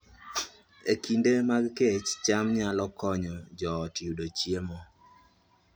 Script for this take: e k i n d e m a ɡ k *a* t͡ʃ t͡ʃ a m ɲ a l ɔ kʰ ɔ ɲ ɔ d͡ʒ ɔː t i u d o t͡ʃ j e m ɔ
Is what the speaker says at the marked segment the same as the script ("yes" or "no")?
no